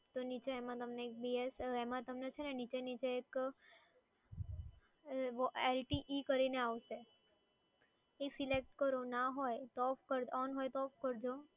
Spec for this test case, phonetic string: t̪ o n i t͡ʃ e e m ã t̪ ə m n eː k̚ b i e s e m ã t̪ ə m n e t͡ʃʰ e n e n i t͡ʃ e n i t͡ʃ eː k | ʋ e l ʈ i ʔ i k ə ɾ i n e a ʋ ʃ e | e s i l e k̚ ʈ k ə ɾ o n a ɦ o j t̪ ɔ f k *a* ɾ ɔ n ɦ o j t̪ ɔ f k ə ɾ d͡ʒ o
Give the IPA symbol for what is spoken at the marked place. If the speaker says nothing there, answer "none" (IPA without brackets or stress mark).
ə